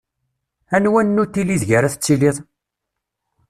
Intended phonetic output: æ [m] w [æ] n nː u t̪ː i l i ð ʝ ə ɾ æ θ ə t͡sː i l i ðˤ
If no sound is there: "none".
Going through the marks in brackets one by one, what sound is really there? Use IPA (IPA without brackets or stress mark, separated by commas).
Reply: n, æ